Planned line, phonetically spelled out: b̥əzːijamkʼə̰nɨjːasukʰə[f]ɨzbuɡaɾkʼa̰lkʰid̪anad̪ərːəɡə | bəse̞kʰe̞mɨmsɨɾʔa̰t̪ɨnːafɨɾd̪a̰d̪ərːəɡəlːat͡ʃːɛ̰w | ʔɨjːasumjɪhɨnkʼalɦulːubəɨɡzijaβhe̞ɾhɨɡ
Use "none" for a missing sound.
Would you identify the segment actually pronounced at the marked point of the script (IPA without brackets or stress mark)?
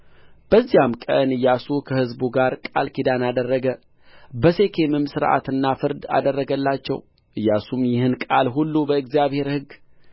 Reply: h